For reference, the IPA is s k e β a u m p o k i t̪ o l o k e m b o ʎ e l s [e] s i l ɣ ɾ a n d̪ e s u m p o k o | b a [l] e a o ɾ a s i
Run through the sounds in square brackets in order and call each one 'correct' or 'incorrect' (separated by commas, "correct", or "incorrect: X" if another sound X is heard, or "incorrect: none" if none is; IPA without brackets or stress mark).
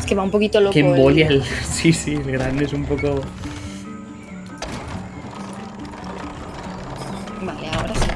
incorrect: i, correct